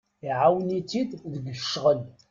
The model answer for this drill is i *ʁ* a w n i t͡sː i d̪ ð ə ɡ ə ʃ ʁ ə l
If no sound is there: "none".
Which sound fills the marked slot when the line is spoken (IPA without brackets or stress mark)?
ʕ